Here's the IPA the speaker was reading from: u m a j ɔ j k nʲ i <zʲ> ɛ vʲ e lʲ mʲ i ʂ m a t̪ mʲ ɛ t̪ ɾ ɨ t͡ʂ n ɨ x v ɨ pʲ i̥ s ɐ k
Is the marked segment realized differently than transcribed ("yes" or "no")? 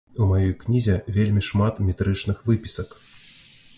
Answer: no